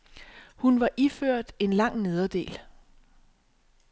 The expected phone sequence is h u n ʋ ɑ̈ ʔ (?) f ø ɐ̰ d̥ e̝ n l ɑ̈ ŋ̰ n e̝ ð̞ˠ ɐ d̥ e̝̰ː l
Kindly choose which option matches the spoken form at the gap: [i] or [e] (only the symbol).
i